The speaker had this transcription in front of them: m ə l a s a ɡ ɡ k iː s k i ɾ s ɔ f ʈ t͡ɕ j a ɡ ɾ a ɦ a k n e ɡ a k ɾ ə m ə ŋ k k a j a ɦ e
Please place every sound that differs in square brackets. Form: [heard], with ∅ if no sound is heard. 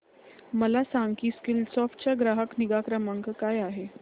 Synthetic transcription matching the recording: m ə l a s a [ŋ] ɡ k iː s k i [l] s ɔ f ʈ t͡ɕ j a ɡ ɾ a ɦ [ə] k n [i] ɡ a k ɾ ə m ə ŋ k k a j a ɦ e